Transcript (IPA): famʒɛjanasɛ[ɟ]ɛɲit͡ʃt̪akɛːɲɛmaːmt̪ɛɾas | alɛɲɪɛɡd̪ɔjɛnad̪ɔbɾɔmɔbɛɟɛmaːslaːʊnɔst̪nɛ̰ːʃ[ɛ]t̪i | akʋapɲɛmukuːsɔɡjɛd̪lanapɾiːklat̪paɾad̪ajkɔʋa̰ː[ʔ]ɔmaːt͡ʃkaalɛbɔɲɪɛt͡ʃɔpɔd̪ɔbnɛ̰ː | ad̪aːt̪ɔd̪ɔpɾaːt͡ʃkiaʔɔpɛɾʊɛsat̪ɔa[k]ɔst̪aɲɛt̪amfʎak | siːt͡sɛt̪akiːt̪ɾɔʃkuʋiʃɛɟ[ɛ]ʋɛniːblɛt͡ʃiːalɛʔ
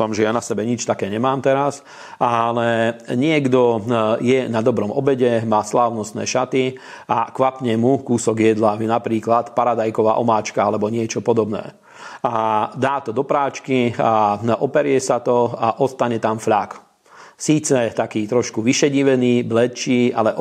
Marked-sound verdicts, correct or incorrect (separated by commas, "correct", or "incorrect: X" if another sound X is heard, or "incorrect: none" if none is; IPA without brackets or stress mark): incorrect: b, incorrect: a, correct, incorrect: ʔ, incorrect: i